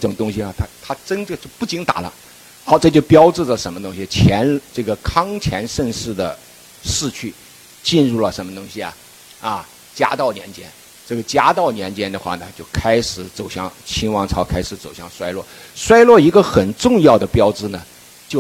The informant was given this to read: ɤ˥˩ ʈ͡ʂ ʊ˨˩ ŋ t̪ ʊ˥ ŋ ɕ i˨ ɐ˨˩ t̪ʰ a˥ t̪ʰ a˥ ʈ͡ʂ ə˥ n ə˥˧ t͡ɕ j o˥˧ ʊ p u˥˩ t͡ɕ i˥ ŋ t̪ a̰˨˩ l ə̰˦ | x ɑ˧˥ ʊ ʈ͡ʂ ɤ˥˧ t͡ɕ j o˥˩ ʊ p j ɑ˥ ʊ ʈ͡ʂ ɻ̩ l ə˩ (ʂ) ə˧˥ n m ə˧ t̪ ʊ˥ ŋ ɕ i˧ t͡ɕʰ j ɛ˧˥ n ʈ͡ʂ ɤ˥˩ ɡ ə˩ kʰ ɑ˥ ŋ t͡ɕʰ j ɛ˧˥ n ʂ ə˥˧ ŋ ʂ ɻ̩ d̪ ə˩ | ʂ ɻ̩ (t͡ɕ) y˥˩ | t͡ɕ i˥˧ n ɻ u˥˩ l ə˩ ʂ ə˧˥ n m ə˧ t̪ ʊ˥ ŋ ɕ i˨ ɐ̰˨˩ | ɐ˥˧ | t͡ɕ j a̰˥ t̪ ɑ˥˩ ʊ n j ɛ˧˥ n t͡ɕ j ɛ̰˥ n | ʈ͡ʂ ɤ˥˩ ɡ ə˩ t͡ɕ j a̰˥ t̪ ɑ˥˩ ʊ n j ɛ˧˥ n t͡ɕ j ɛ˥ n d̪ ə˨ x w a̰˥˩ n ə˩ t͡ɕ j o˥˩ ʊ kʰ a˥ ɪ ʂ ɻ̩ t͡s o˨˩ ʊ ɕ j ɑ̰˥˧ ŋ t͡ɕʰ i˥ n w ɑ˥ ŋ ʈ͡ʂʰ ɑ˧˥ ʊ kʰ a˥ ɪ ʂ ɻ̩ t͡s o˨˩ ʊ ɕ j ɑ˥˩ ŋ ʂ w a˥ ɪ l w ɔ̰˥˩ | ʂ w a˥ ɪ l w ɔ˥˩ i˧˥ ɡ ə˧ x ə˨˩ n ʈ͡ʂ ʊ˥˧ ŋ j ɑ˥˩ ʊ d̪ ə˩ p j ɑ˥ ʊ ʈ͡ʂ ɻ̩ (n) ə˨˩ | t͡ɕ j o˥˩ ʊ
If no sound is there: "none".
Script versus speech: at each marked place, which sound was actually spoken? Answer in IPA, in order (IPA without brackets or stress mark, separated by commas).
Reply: ʂ, t͡ɕʰ, n